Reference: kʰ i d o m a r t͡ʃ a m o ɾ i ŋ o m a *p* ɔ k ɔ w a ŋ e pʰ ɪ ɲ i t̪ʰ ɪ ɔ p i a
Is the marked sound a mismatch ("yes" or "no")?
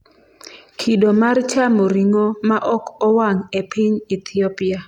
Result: yes